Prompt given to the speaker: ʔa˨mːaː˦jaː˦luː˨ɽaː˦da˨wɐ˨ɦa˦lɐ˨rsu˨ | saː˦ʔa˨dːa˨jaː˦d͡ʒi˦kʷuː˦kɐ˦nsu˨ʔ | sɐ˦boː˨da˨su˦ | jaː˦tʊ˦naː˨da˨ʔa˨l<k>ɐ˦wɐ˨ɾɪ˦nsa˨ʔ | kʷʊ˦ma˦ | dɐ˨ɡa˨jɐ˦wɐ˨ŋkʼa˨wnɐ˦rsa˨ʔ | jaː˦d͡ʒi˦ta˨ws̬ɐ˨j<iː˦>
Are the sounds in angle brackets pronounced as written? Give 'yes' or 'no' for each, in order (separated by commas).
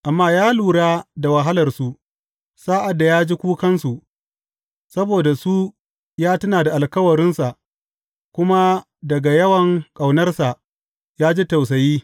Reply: yes, yes